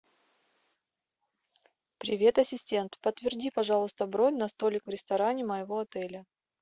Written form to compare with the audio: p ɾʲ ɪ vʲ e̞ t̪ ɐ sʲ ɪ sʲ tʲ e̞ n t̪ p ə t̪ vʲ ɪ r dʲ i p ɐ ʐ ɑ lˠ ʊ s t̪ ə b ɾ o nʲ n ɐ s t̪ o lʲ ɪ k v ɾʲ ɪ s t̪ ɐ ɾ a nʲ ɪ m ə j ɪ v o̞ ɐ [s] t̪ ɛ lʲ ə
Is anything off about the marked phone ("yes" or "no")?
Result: yes